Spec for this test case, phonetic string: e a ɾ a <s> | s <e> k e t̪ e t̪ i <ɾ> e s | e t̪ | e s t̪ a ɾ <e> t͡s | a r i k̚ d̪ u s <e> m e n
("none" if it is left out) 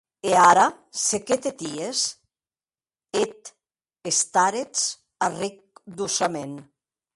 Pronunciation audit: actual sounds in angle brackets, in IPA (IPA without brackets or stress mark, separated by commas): none, e, none, e, a